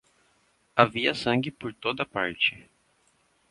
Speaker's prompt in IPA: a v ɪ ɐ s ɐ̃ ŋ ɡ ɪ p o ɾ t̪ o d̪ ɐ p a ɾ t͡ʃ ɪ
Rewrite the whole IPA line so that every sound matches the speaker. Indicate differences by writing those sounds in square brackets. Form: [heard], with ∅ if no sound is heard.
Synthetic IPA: a v [i] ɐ s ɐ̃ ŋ ɡ ɪ p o ɾ t̪ o d̪ ɐ p a ɾ t͡ʃ ɪ